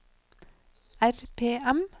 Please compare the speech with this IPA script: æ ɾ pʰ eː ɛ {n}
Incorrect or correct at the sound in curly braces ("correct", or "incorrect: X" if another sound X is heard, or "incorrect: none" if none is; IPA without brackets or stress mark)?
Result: incorrect: m